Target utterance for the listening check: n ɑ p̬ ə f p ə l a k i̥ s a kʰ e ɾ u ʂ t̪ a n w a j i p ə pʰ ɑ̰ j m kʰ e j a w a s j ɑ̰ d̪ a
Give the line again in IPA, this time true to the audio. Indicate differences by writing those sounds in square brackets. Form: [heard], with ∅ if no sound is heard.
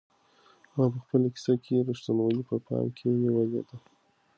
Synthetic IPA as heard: [m] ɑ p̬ ə [x] p ə l a k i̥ s a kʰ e ɾ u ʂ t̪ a n w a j i p ə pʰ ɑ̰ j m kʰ e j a w a [z] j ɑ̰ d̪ a